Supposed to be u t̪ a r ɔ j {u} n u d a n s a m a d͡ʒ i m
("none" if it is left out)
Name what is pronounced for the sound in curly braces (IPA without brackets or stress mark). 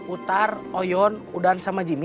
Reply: ɔ